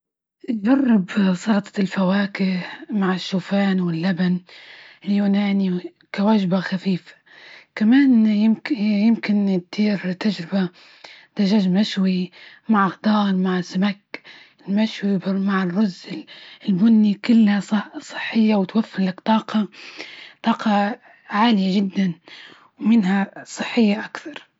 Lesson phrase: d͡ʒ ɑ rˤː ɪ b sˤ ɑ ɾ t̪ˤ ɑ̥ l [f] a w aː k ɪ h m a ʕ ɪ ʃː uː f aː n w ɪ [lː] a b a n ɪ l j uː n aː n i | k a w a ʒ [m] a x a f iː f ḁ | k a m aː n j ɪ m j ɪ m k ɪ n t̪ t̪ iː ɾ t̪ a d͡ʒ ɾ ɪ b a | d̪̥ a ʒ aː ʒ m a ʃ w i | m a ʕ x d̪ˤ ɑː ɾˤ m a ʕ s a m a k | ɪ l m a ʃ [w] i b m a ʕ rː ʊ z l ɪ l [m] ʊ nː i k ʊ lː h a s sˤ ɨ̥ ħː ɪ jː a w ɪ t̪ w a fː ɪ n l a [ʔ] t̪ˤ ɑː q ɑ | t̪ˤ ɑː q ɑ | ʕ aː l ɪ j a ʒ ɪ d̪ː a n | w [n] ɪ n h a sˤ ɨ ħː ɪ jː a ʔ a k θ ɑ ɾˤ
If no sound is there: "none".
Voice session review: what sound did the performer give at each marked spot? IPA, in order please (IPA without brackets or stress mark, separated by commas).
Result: f, lː, b, w, b, k, m